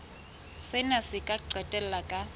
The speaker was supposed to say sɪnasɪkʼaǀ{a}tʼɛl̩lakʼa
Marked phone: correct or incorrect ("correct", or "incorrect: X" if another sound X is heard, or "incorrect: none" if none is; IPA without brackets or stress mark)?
incorrect: ɛ